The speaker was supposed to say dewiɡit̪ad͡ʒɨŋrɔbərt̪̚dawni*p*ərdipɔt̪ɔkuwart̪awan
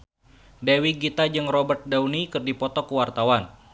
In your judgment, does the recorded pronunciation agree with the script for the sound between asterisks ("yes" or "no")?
no